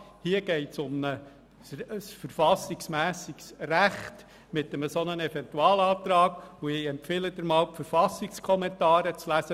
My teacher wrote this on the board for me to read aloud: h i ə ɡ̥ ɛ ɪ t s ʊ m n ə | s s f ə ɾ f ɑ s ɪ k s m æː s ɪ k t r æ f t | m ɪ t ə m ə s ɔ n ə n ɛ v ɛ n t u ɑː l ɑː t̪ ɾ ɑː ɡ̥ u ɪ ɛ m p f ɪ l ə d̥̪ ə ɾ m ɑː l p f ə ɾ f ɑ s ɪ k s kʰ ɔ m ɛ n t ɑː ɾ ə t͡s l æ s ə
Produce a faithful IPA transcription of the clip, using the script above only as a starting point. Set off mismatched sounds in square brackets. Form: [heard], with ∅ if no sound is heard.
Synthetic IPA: h i ə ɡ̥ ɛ ɪ t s ʊ m n ə | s s f ə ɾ f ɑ s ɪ k s m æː s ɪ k [s] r æ [χ] t | m ɪ t ə m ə s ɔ n ə n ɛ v ɛ n t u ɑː l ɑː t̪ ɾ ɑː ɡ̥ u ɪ ɛ m p f ɪ l ə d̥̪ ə ɾ m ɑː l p f ə ɾ f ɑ s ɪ k s kʰ ɔ m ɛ n t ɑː ɾ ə t͡s l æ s ə